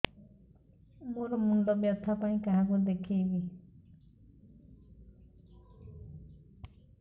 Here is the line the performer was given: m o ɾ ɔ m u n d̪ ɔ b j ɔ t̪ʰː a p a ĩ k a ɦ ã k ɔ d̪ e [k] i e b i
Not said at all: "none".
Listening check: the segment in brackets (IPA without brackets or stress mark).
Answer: kʰ